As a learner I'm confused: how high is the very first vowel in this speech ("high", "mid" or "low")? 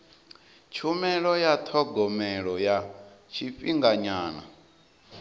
high